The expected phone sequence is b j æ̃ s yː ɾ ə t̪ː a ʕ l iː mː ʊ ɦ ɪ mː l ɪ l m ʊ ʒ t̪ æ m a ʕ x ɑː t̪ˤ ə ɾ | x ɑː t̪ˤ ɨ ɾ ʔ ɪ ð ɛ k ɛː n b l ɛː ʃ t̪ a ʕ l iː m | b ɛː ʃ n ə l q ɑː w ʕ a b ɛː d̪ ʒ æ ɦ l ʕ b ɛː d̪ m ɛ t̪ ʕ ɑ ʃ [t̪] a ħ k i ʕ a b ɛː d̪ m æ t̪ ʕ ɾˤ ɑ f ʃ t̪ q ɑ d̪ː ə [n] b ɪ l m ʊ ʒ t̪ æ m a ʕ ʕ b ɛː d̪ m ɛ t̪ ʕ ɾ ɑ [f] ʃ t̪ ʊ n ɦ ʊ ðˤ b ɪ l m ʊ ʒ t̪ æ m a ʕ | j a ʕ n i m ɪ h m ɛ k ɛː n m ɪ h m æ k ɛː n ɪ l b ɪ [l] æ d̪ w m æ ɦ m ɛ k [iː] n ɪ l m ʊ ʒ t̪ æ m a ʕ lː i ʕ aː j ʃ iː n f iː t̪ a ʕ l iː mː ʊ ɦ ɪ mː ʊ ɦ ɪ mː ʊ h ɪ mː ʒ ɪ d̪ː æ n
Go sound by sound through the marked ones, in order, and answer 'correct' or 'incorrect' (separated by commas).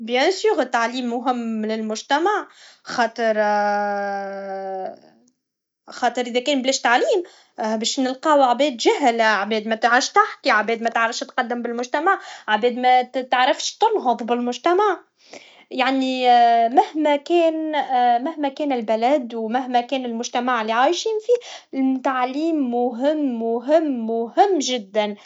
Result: correct, incorrect, correct, correct, incorrect